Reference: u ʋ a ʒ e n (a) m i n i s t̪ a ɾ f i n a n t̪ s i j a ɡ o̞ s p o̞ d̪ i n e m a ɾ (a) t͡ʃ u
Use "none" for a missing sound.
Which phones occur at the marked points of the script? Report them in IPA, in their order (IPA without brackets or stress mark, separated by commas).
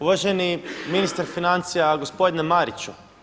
i, i